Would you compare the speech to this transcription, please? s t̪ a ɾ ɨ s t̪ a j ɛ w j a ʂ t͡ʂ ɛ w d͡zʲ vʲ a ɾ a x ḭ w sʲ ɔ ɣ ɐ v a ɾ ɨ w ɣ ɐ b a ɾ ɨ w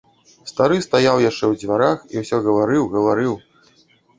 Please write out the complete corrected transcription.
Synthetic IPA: s t̪ a ɾ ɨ s t̪ a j a w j a ʂ t͡ʂ ɛ w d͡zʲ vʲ a ɾ a x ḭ w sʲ ɔ ɣ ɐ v a ɾ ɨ w ɣ ɐ v a ɾ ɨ w